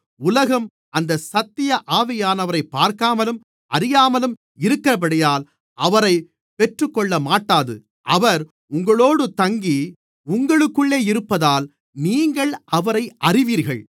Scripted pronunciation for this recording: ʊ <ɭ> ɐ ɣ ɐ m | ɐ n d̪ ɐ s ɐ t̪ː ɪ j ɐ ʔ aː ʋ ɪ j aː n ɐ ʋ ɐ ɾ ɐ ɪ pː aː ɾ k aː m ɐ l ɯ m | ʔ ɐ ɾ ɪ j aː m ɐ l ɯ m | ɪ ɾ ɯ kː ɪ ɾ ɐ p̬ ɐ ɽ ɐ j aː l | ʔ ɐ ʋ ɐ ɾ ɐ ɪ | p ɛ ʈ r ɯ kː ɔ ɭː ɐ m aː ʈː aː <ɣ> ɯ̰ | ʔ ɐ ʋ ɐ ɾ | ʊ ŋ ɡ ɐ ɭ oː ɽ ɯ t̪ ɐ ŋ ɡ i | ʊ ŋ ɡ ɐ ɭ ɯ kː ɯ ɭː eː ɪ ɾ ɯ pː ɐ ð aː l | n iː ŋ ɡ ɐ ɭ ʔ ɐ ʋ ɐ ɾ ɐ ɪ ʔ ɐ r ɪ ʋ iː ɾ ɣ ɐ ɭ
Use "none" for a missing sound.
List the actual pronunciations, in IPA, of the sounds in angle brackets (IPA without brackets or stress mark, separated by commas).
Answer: l, ð